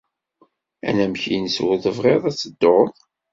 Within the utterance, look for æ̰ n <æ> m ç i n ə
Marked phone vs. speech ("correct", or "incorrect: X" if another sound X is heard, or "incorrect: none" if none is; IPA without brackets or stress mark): correct